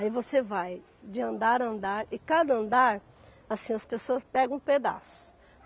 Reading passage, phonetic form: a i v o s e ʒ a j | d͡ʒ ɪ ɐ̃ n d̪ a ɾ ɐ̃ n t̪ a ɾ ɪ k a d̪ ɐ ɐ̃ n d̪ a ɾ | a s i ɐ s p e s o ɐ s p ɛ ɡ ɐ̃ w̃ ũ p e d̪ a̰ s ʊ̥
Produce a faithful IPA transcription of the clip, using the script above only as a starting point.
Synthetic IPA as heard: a i v o s e v a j | d͡ʒ ɪ ɐ̃ n d̪ a ɾ ɐ̃ n d̪ a ɾ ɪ k a d̪ ɐ ɐ̃ n d̪ a ɾ | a s ĩ ɐ s p e s o ɐ s p ɛ ɡ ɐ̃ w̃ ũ p e d̪ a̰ s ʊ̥